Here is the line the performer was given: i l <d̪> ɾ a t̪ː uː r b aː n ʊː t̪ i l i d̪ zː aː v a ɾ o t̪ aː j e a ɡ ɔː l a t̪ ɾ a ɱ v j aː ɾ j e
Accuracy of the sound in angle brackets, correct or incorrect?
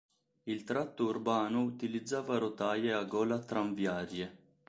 incorrect